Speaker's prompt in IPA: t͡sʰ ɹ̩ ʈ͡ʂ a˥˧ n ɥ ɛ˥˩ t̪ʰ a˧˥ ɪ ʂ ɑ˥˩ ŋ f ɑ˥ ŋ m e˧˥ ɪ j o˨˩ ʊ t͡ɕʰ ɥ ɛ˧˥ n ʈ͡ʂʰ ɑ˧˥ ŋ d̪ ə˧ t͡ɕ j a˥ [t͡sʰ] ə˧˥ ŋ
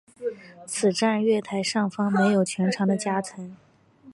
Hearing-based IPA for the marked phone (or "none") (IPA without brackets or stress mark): t͡sʰ